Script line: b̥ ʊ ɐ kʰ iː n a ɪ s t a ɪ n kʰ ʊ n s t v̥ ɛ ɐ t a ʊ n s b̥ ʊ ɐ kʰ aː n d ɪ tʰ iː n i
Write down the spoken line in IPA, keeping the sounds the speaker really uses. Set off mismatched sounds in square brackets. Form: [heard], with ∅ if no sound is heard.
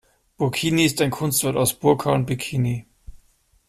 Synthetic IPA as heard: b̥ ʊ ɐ kʰ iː n [i] ɪ s t a ɪ n kʰ ʊ n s t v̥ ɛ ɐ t a ʊ [∅] s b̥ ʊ ɐ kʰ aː n [b] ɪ [kʰ] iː n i